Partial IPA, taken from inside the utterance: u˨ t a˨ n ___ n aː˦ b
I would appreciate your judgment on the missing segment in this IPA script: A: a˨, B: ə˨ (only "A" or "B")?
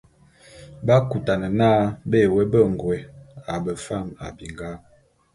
B